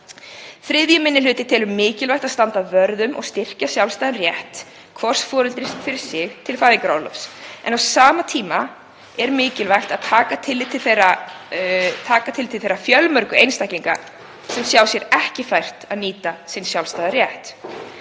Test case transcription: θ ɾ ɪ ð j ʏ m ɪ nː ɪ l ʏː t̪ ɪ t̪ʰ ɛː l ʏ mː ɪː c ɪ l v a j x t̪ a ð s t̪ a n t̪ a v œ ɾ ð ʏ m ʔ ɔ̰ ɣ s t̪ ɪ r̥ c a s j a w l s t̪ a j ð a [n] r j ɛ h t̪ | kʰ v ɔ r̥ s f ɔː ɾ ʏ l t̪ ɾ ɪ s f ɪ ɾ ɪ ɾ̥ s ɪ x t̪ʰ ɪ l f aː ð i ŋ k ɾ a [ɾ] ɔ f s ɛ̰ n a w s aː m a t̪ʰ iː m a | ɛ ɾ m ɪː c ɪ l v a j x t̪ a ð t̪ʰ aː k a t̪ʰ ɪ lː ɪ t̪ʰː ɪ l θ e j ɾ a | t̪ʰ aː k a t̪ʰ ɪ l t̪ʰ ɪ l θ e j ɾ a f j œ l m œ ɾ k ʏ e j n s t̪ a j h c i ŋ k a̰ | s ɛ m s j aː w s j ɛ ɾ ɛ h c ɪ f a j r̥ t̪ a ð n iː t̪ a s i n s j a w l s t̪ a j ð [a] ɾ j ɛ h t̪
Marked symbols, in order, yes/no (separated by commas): yes, no, yes